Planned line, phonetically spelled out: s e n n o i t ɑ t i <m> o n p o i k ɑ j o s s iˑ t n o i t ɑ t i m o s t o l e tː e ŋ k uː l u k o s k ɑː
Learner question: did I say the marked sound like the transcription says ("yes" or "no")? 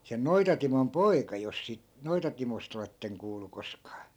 yes